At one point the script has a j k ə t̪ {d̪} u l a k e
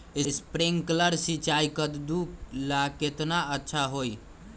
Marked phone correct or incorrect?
correct